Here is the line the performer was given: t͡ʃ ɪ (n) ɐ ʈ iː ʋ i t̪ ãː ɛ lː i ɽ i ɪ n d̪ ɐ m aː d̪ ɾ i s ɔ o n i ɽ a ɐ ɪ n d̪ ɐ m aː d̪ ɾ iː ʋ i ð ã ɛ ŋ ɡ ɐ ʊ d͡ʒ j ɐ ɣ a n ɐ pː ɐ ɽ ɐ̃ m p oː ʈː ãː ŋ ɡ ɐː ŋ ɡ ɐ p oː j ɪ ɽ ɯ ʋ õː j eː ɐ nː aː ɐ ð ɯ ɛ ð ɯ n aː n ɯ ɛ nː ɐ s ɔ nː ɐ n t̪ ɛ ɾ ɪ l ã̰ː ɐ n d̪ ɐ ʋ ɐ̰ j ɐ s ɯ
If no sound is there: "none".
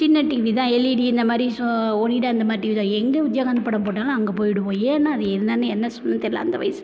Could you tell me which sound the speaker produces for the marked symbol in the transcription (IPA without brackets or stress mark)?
nː